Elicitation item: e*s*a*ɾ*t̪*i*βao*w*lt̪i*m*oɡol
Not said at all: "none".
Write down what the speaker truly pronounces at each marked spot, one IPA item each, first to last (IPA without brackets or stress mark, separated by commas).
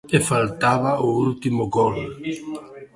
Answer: f, l, a, u, m